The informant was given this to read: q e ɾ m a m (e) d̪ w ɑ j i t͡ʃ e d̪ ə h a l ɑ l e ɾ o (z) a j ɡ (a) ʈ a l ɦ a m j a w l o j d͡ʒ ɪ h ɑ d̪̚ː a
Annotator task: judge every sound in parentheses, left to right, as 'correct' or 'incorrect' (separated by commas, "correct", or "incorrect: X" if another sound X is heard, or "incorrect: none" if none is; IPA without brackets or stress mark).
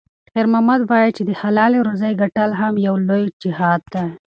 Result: incorrect: a, correct, correct